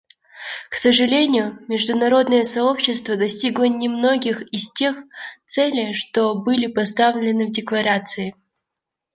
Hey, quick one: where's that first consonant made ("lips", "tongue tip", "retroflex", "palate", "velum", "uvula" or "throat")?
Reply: velum